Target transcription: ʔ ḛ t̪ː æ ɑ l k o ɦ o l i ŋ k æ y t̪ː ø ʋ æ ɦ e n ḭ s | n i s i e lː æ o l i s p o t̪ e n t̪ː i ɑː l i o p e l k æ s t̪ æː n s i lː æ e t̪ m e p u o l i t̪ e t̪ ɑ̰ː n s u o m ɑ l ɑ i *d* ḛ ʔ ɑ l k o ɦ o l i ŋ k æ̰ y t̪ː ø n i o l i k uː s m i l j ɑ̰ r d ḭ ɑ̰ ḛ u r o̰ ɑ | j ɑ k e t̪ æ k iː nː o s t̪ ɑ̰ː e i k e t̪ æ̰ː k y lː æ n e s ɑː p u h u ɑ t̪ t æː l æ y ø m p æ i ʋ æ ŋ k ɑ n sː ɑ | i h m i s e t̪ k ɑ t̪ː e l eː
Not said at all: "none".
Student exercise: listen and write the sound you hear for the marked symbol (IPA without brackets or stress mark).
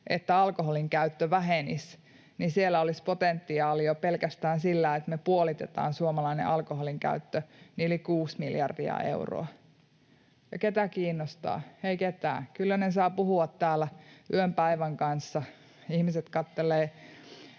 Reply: n